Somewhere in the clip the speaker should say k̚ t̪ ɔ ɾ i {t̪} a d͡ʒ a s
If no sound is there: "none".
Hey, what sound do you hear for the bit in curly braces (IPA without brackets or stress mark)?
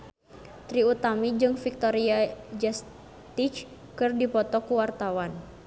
none